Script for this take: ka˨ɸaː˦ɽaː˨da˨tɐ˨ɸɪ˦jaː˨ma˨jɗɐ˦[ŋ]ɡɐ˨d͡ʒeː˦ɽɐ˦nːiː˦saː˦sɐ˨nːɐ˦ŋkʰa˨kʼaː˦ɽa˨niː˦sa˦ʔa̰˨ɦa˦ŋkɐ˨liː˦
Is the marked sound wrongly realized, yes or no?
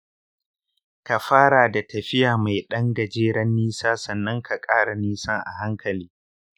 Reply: no